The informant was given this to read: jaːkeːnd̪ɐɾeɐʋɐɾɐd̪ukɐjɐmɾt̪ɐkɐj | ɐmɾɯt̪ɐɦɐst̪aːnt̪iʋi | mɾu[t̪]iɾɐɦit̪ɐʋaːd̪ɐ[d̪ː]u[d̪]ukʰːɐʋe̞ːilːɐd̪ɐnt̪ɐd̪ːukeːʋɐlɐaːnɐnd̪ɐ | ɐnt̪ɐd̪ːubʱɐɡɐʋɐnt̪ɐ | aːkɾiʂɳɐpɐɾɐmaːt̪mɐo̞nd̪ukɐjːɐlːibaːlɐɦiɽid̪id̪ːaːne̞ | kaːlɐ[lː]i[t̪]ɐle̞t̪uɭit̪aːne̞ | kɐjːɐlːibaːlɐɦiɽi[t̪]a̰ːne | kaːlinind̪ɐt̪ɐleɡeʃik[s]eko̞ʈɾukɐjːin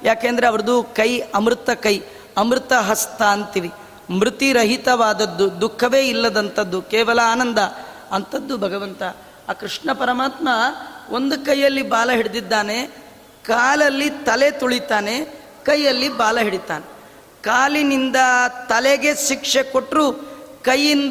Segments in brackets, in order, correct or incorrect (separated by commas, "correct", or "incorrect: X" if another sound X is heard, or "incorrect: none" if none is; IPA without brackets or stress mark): correct, correct, correct, correct, correct, correct, incorrect: ʂ